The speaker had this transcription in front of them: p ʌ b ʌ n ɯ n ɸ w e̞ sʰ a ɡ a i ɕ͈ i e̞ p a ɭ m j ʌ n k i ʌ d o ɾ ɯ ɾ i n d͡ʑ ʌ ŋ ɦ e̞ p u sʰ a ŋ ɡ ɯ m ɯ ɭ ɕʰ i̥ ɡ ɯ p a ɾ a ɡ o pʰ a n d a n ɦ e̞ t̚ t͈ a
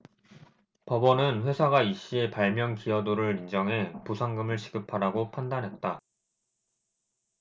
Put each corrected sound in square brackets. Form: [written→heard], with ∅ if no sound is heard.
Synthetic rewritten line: p ʌ b ʌ n ɯ n ɸ w e̞ sʰ a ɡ a i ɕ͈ i e̞ p a ɭ m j ʌ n k i ʌ d o ɾ ɯ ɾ i n d͡ʑ ʌ ŋ ɦ e̞ p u sʰ a ŋ ɡ ɯ m ɯ ɭ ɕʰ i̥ ɡ ɯ [p→pʰ] a ɾ a ɡ o pʰ a n d a n ɦ e̞ t̚ t͈ a